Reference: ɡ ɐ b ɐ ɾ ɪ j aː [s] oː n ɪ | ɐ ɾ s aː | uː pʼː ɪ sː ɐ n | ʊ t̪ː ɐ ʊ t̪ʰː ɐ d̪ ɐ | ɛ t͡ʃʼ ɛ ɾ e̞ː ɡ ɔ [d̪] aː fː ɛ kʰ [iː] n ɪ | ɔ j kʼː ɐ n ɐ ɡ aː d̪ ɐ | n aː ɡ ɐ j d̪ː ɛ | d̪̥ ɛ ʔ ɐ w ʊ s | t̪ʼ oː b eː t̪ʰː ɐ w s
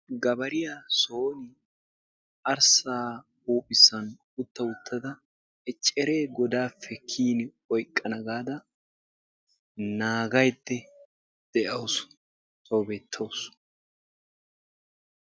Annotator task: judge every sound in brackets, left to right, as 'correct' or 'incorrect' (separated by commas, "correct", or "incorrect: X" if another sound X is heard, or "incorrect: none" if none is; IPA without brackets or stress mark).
correct, correct, correct